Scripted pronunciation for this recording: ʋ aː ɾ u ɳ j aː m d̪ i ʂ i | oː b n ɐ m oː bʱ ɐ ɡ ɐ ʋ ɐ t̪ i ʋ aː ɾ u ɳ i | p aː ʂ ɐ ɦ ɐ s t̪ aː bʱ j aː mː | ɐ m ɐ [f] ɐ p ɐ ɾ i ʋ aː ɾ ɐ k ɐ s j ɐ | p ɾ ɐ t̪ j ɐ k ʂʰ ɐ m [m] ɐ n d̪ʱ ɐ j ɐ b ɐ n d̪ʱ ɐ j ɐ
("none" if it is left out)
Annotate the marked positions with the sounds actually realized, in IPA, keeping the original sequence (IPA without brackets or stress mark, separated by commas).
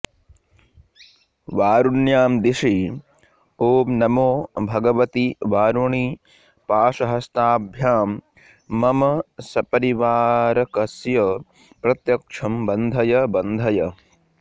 s, b